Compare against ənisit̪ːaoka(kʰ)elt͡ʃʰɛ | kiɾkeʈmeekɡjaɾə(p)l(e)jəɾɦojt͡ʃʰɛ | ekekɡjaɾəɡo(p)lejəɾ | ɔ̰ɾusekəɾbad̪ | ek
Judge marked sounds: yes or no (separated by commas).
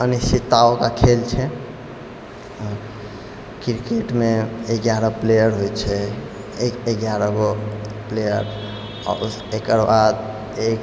yes, yes, yes, yes